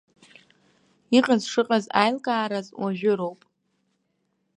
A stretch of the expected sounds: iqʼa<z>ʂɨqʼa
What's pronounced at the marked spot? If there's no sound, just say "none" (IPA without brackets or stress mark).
z